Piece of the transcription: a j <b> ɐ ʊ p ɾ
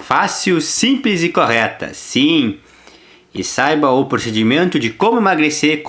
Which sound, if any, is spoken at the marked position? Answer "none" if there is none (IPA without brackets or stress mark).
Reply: b